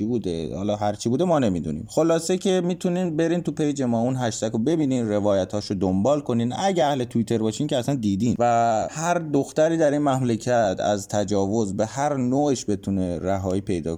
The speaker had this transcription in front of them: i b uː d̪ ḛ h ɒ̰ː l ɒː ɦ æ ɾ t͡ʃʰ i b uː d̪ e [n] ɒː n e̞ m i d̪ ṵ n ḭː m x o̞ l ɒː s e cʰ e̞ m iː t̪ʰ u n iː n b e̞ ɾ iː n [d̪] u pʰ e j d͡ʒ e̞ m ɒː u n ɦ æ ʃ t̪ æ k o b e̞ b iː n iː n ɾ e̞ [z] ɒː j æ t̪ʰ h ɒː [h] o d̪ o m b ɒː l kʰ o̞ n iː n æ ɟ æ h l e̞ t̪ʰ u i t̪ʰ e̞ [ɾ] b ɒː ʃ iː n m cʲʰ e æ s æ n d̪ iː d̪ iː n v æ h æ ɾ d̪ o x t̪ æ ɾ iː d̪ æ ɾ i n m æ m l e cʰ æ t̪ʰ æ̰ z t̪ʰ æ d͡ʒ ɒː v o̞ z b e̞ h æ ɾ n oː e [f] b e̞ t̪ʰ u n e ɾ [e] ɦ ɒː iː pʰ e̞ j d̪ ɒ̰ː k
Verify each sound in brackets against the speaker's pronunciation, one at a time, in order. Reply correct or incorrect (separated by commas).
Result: incorrect, incorrect, incorrect, incorrect, correct, incorrect, incorrect